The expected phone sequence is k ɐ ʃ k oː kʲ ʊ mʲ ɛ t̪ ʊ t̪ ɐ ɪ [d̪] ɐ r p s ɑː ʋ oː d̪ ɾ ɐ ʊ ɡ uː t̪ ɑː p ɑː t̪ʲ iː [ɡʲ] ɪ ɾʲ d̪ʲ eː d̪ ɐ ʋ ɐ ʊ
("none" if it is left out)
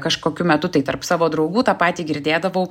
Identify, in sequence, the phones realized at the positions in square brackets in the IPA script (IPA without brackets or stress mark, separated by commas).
t̪, ɡʲ